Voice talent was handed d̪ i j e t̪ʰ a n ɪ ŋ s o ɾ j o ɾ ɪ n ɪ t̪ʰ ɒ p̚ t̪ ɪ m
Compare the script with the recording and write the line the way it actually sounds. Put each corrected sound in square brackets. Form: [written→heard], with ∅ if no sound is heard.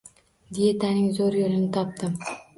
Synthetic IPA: d̪ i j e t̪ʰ a n ɪ ŋ [s→z] o ɾ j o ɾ ɪ n ɪ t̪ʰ ɒ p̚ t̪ ɪ m